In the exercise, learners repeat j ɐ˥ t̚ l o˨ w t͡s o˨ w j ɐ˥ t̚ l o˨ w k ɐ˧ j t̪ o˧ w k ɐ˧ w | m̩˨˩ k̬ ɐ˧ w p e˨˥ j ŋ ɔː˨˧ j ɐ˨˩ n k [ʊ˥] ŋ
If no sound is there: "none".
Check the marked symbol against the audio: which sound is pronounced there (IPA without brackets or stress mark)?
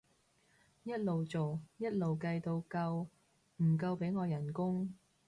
ʊ˥